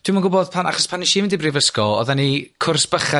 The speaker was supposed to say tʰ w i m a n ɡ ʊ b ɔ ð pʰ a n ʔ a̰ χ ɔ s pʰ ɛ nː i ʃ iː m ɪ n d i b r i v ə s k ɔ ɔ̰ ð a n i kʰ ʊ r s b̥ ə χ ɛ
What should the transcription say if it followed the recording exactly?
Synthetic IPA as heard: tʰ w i m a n ɡ ʊ b ɔ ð pʰ a n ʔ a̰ χ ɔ s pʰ a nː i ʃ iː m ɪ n d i b r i v ə s k ɔ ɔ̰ ð a n i kʰ ʊ r s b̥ ə χ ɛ